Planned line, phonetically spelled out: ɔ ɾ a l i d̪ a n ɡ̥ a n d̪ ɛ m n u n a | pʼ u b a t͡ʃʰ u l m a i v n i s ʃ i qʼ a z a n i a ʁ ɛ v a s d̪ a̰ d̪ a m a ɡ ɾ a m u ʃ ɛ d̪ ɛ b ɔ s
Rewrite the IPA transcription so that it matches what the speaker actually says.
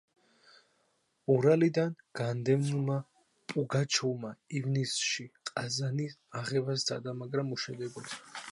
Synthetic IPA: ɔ ɾ a l i d̪ a n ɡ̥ a n d̪ ɛ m n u m a | pʼ u ɡ a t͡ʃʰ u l m a i v n i s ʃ i qʼ a z a n i a ʁ ɛ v a s d̪ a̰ d̪ a m a ɡ ɾ a m u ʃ ɛ d̪ ɛ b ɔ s